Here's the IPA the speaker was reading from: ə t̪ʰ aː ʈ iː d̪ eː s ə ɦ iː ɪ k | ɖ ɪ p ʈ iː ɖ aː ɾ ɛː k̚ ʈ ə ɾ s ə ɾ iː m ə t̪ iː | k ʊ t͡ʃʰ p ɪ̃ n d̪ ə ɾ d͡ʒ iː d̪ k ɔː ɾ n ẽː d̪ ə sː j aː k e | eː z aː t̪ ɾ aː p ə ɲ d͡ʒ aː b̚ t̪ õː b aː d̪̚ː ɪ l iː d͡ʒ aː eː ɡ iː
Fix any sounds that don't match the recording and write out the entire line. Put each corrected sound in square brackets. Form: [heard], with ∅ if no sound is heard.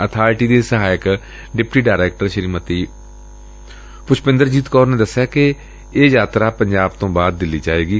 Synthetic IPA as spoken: ə t̪ʰ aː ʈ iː d̪ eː s ə ɦ [aː] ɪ k | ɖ ɪ p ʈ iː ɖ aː ɾ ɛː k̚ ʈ ə ɾ [ʃ] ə ɾ iː m ə t̪ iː | [p] ʊ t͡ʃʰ p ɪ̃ n d̪ ə ɾ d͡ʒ iː [t̪] k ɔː ɾ n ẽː d̪ ə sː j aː k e | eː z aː t̪ ɾ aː p ə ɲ d͡ʒ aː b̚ t̪ õː b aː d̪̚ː ɪ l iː d͡ʒ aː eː ɡ iː